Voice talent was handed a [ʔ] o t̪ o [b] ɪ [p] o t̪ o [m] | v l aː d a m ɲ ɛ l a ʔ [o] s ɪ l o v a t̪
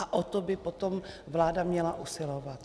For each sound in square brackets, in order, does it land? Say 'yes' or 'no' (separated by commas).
yes, yes, yes, yes, no